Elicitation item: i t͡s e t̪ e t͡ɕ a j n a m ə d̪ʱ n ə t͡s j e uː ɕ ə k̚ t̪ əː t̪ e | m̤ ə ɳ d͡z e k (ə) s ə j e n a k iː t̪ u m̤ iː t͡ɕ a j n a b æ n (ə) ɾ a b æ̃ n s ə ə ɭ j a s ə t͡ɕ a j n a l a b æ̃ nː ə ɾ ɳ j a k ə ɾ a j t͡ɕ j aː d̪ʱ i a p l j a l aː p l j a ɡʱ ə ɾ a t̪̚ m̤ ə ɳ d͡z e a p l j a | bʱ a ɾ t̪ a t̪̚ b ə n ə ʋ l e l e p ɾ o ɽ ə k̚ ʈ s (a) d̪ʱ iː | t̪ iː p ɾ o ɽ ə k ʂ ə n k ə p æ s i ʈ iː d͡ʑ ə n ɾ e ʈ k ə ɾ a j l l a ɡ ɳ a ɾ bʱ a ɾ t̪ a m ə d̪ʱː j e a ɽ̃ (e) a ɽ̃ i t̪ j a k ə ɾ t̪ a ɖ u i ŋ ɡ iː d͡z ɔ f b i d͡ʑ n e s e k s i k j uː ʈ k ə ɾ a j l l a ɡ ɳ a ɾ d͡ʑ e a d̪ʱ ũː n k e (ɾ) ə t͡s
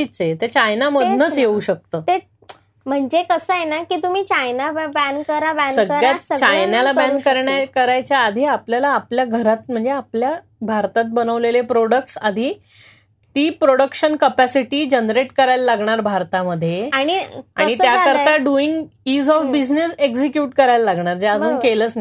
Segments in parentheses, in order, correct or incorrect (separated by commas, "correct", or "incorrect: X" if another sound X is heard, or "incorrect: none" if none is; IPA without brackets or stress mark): correct, correct, correct, incorrect: i, incorrect: l